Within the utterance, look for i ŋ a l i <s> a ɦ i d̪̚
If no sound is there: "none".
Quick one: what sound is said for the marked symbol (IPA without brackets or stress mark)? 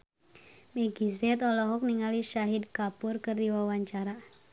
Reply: ʃ